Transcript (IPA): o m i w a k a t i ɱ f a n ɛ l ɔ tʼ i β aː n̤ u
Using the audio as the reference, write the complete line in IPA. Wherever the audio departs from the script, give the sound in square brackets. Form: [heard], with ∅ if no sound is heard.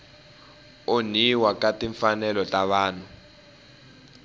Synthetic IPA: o [n] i w a k a t i ɱ f a n ɛ l ɔ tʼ [a] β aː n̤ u